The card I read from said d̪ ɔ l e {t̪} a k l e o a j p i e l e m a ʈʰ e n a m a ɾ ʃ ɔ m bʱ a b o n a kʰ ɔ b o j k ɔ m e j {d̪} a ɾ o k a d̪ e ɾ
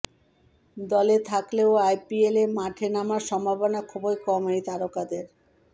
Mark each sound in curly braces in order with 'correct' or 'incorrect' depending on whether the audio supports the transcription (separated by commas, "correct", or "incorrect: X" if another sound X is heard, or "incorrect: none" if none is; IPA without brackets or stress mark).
incorrect: t̪ʰ, incorrect: t̪